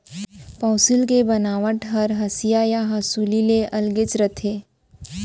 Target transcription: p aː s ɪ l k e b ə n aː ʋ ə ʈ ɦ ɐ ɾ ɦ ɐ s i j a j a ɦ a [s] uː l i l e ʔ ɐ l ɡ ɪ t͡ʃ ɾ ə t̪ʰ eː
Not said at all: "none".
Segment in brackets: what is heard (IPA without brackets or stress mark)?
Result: s